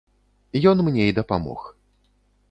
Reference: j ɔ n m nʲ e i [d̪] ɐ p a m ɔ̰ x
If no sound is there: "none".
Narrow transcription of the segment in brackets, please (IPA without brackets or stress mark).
d̪